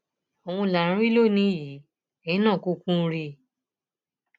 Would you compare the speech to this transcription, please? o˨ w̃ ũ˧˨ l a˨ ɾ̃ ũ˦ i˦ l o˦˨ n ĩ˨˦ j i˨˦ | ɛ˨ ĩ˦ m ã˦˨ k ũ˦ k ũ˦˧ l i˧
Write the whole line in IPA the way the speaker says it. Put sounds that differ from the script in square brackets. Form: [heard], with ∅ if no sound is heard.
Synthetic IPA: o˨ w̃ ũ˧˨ l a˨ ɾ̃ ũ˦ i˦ l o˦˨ n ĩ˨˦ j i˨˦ | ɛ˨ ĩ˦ [n] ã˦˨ k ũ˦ k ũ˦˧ [ɾ] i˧